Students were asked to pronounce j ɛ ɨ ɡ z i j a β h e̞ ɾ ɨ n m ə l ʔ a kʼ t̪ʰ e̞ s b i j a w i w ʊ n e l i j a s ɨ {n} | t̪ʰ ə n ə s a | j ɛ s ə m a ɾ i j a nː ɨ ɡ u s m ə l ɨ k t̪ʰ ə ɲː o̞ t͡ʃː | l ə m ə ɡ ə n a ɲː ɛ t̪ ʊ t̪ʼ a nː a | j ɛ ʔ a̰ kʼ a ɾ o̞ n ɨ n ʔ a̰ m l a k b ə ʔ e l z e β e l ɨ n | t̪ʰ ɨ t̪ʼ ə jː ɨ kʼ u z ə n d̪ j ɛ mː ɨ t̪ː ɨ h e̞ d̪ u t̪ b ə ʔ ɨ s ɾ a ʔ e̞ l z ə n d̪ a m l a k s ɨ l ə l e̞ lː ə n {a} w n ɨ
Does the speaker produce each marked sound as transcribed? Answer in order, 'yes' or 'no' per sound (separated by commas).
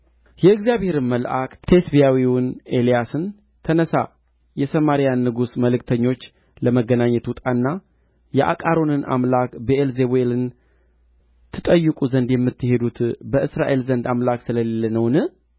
yes, no